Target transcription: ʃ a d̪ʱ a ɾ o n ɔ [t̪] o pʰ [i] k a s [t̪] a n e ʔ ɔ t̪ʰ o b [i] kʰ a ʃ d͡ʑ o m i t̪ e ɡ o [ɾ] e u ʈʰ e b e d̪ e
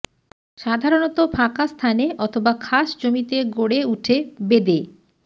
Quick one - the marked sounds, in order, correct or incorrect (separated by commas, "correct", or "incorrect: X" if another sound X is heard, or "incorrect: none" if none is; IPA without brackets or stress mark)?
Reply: correct, incorrect: a, incorrect: t̪ʰ, incorrect: a, incorrect: ɽ